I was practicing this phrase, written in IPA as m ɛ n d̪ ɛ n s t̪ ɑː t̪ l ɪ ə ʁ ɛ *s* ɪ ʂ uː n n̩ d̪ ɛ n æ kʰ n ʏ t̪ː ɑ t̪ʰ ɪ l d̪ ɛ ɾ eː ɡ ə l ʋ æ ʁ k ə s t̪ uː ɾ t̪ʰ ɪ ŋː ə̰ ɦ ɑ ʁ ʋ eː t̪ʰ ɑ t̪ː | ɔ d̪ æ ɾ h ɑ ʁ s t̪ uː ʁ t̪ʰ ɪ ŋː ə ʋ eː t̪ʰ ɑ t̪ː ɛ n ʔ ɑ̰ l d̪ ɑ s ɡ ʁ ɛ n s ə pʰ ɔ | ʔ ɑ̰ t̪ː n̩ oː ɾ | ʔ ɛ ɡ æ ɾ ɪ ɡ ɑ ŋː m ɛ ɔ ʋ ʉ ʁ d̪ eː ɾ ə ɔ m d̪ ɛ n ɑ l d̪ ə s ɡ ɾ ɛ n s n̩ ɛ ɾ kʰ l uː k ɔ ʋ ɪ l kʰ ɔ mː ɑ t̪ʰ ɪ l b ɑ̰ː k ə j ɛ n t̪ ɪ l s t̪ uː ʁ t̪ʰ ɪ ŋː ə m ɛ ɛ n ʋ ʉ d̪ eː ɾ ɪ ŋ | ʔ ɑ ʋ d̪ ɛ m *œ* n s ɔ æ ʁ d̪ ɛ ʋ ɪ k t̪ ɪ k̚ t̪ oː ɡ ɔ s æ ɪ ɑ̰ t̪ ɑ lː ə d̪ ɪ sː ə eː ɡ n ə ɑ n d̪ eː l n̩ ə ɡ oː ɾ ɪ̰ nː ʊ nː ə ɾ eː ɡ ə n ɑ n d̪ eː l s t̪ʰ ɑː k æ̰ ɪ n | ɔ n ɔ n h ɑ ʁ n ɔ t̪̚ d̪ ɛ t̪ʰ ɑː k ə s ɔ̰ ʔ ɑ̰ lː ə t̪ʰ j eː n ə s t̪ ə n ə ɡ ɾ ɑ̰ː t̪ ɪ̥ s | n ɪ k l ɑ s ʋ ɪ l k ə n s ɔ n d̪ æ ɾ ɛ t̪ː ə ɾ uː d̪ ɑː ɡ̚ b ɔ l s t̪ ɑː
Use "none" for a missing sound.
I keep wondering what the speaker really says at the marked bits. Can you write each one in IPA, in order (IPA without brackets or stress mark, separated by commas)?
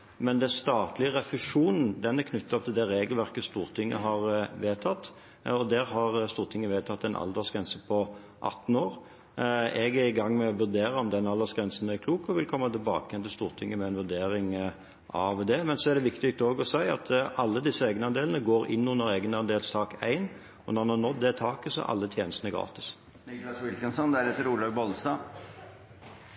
f, ɛ